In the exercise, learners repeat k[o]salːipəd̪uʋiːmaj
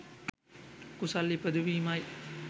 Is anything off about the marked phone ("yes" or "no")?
yes